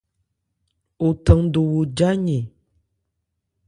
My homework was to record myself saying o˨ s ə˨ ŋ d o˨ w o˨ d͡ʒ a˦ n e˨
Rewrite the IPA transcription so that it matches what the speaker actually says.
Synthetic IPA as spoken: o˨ t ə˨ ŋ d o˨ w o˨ d͡ʒ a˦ ɲ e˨